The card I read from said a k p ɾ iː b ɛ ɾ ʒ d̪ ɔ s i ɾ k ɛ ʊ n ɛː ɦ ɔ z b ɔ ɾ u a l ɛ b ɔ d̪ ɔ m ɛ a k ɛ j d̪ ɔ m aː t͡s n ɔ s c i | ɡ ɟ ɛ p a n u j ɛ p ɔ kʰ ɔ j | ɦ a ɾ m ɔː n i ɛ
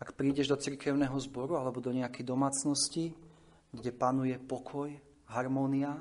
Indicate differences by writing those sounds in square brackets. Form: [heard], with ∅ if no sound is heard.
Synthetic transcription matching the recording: a k p ɾ iː [ɟ] ɛ [∅] ʒ d̪ ɔ [t͡s] i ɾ k ɛ ʊ n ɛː ɦ ɔ z b ɔ ɾ u a l ɛ b ɔ d̪ ɔ [ɲ] ɛ a k ɛ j d̪ ɔ m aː t͡s n ɔ s c i | ɡ ɟ ɛ p a n u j ɛ p ɔ kʰ ɔ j | ɦ a ɾ m ɔː n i [a]